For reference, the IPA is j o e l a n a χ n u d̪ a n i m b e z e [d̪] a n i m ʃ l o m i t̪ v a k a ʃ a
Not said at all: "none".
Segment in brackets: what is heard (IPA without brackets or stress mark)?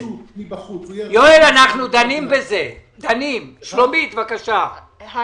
d̪